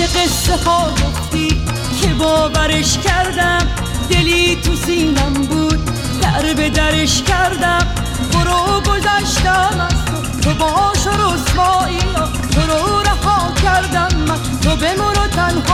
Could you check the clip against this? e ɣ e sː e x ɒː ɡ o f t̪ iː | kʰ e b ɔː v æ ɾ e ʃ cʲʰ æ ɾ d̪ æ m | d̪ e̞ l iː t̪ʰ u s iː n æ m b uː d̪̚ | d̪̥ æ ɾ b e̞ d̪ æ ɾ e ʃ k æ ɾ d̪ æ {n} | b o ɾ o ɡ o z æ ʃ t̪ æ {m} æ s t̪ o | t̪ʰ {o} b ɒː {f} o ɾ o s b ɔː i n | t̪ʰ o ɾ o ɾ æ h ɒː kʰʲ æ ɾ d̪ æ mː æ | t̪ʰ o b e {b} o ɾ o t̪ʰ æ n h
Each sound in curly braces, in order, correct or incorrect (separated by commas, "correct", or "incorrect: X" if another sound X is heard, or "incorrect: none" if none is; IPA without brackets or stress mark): incorrect: m, correct, correct, incorrect: ʃ, incorrect: m